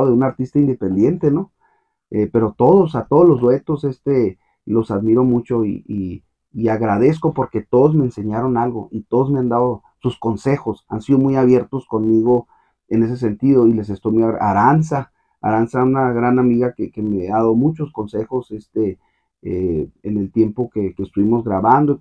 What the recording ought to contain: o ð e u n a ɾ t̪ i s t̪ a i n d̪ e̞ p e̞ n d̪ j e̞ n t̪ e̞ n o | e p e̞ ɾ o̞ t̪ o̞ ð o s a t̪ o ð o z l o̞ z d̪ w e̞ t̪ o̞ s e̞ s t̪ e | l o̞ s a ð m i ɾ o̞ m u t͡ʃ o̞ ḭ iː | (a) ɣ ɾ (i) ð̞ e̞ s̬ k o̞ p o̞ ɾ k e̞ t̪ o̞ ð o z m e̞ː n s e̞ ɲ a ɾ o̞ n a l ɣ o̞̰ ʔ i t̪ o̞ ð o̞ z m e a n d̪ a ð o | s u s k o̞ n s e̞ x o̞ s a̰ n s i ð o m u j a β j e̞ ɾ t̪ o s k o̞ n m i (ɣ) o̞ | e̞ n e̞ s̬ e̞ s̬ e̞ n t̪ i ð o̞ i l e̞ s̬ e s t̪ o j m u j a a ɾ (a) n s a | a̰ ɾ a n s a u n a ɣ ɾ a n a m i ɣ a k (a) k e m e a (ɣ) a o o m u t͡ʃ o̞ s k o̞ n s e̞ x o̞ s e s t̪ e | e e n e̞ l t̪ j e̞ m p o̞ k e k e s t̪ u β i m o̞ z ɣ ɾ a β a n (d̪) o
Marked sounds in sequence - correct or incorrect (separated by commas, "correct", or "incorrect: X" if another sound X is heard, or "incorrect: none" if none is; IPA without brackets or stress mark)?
correct, incorrect: a, correct, correct, incorrect: e, incorrect: ð, correct